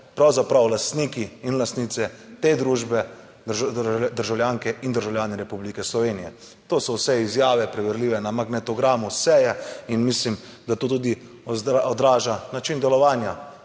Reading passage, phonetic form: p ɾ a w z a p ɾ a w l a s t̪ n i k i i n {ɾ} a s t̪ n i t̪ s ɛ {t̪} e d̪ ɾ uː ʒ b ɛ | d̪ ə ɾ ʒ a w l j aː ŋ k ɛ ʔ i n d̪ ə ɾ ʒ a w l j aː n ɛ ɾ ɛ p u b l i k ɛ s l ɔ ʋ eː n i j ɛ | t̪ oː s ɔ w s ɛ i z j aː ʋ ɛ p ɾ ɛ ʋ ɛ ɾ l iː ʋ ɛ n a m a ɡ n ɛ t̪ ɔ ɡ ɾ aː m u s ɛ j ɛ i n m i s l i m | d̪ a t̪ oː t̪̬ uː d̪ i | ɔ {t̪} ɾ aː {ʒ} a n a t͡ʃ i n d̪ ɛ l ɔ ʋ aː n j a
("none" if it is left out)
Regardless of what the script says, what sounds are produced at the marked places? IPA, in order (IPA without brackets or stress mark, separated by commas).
l, t̪, d̪, ʒ